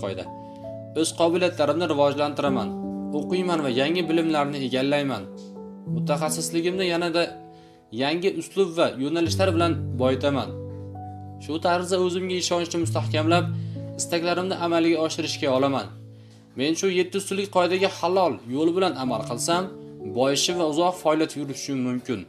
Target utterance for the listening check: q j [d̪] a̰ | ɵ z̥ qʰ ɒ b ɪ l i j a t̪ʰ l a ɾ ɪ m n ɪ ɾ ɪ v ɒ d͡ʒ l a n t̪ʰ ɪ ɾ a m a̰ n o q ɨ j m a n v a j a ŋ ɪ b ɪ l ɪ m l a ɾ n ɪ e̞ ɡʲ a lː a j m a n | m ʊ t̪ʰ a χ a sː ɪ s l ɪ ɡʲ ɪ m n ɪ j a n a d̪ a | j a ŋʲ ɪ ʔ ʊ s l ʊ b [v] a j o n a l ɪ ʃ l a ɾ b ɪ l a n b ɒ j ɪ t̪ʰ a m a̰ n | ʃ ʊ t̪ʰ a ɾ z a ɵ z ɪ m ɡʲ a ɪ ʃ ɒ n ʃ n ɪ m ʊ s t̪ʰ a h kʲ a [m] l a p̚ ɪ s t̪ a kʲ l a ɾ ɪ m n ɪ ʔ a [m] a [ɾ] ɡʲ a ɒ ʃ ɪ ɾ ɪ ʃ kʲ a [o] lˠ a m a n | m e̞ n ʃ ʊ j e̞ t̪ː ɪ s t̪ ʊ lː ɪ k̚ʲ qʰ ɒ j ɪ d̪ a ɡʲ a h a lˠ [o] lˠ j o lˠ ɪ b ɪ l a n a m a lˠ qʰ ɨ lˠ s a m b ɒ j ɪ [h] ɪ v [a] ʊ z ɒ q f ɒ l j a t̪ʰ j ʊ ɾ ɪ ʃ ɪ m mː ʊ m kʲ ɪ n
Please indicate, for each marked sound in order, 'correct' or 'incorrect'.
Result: correct, correct, correct, correct, incorrect, incorrect, incorrect, incorrect, correct

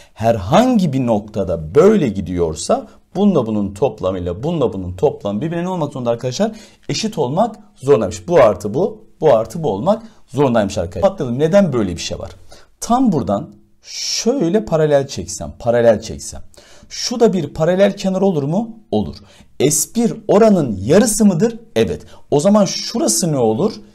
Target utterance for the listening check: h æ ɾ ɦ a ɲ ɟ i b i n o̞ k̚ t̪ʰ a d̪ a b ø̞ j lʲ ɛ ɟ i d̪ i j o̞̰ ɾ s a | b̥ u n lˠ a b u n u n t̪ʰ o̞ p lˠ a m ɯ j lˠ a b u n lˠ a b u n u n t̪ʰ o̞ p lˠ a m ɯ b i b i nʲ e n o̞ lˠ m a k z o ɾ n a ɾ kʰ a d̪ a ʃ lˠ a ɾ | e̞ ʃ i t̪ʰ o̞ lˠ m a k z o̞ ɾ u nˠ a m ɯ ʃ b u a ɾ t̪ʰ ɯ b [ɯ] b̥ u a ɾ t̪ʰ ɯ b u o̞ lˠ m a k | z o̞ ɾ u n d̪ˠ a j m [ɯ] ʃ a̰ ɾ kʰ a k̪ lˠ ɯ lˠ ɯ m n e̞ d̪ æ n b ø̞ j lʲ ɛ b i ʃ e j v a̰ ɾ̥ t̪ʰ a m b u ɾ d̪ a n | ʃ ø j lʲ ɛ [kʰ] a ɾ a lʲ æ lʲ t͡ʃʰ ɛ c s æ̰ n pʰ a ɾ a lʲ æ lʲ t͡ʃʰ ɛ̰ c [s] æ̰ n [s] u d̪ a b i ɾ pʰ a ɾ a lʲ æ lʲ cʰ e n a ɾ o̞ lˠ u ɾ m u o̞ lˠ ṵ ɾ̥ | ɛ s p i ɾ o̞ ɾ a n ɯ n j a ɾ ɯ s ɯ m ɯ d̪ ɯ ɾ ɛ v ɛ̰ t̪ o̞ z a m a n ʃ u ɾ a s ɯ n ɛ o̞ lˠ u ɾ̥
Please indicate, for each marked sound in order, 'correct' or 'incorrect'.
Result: incorrect, correct, incorrect, correct, incorrect

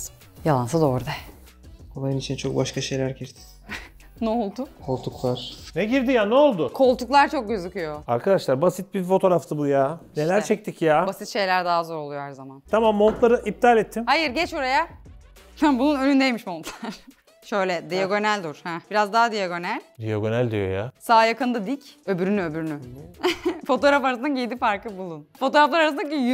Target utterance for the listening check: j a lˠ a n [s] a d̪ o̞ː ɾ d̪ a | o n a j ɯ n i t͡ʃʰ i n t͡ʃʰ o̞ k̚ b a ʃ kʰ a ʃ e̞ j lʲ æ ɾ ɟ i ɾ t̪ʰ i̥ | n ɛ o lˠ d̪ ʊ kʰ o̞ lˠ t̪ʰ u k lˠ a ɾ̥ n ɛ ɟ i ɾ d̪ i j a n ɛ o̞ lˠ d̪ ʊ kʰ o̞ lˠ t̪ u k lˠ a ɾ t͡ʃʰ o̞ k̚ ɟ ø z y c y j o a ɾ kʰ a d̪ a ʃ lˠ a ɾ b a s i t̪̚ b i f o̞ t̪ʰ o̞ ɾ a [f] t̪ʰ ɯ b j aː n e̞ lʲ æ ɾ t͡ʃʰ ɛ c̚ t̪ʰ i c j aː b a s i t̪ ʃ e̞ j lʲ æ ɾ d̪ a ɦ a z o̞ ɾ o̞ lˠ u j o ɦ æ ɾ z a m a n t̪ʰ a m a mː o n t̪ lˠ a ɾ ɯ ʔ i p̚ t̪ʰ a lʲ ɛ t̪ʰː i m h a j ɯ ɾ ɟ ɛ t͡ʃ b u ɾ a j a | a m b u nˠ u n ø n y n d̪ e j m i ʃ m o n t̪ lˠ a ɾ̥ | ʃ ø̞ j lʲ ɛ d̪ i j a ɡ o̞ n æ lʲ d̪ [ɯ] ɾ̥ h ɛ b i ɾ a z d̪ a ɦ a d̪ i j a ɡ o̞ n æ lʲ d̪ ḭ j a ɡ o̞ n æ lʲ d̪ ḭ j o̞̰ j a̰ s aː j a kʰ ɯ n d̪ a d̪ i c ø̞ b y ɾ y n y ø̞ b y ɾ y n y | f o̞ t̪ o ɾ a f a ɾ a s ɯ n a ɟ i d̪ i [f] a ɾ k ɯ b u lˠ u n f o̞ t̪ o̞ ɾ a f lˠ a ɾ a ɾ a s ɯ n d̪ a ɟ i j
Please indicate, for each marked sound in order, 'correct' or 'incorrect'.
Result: correct, correct, incorrect, correct

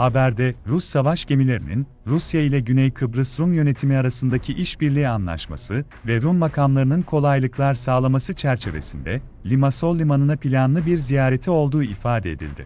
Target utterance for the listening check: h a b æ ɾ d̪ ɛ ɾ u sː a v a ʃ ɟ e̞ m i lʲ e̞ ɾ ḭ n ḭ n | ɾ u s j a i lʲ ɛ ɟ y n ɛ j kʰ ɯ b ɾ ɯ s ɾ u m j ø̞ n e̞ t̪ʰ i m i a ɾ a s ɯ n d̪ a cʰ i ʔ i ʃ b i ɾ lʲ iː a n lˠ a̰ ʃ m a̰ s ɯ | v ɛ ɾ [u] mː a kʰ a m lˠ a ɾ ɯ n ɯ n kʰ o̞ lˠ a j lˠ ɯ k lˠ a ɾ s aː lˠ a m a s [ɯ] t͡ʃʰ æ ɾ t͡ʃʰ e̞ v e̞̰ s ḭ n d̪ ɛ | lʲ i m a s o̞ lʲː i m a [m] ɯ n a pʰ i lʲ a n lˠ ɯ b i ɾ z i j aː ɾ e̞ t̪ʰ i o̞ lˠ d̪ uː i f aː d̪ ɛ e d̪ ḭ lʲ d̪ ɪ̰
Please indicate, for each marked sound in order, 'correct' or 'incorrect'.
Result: correct, correct, incorrect

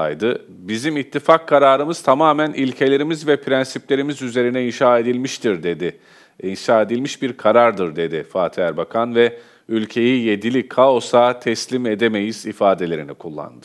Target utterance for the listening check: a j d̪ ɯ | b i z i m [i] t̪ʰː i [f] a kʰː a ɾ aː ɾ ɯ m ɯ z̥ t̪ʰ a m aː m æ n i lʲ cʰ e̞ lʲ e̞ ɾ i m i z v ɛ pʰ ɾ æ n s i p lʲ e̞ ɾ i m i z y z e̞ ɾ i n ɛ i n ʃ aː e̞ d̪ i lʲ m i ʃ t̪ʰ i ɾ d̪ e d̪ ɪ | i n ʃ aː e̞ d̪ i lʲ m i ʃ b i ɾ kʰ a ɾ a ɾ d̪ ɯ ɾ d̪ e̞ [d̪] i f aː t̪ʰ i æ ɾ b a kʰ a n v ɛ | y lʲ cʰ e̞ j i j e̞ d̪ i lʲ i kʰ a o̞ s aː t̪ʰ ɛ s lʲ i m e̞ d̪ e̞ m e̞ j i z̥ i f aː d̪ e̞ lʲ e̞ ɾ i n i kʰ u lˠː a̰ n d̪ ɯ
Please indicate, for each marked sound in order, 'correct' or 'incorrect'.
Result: correct, correct, correct

